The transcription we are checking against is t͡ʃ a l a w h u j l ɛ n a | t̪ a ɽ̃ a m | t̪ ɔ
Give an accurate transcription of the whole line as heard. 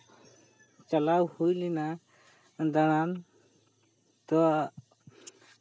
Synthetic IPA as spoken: t͡ʃ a l a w h u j l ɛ n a | d̪ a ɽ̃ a n | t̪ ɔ